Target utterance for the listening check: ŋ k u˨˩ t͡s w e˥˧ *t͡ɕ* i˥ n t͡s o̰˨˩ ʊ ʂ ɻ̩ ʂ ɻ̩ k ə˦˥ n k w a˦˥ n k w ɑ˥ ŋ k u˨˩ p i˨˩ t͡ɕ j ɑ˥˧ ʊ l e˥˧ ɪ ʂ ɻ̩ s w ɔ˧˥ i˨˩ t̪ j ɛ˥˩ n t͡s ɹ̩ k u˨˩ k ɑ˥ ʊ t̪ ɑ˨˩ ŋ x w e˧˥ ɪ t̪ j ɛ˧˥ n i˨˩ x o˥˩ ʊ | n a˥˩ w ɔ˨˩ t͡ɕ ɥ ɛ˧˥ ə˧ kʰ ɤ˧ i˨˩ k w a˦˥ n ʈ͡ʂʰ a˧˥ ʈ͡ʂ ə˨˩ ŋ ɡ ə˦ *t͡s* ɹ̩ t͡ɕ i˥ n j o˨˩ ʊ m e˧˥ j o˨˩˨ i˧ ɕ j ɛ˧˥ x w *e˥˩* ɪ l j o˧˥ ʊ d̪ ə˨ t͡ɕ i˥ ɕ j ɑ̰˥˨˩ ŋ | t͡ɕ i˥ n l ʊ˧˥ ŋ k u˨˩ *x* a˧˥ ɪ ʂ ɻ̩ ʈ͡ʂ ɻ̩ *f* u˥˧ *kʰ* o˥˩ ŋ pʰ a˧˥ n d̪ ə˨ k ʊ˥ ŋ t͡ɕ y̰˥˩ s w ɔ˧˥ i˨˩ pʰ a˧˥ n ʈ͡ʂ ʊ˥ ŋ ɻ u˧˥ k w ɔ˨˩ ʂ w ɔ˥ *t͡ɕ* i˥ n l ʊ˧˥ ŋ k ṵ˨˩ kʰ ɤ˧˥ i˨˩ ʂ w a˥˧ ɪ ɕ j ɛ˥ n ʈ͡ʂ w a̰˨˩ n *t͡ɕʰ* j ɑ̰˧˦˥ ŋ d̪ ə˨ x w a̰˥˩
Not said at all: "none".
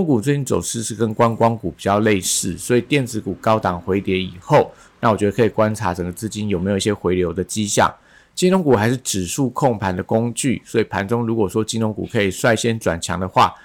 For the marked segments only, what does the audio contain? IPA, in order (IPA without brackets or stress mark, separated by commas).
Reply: t͡ɕ, t͡s, e˧˥, x, ʂ, kʰ, t͡ɕ, t͡ɕʰ